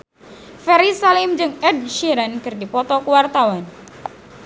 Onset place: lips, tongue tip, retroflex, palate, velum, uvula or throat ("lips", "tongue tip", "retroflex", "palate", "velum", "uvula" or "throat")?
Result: lips